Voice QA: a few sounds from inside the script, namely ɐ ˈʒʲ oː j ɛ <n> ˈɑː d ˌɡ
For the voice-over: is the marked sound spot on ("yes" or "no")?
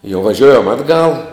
no